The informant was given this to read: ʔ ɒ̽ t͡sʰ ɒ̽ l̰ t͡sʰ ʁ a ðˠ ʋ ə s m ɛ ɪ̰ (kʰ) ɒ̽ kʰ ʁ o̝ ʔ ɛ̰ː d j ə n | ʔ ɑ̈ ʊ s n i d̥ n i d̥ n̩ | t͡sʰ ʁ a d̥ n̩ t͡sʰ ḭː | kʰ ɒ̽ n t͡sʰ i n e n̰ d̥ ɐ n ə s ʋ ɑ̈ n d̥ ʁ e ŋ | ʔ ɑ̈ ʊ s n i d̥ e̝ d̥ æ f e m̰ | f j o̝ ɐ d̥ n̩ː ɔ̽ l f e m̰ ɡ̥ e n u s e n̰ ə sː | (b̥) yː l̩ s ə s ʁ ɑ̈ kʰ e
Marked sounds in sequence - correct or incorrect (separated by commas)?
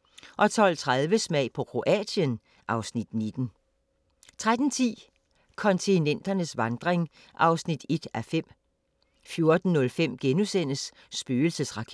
incorrect, correct